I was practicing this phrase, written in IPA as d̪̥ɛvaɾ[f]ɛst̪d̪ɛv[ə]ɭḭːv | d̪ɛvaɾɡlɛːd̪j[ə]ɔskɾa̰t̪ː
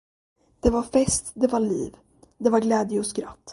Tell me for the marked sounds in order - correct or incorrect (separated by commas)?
correct, incorrect, correct